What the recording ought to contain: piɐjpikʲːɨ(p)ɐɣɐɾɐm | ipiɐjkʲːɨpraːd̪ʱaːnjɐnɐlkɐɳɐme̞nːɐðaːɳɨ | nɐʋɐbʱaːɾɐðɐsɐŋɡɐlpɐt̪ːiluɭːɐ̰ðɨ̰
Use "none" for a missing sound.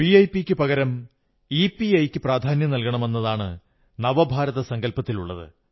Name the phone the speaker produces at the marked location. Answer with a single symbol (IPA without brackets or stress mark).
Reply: p